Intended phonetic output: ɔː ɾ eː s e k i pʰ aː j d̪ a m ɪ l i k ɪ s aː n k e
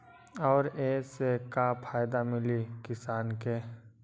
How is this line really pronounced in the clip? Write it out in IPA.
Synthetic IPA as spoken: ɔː ɾ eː s e k a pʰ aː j d̪ a m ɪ l i k ɪ s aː n k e